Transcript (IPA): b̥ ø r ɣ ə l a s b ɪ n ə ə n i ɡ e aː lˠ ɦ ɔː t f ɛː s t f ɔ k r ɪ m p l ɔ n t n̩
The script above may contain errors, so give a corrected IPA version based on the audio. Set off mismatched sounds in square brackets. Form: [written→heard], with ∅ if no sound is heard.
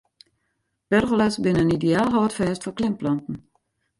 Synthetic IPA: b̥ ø r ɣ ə l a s b ɪ n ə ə n i [ɡ→d] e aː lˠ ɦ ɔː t f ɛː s t f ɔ k [r→l] ɪ m p l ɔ n t n̩